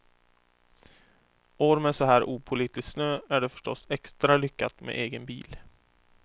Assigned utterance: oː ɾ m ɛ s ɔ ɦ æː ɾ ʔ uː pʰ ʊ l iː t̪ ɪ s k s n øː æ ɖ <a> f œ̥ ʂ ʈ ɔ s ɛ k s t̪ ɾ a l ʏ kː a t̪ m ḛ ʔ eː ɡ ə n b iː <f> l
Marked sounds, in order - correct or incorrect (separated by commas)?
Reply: incorrect, incorrect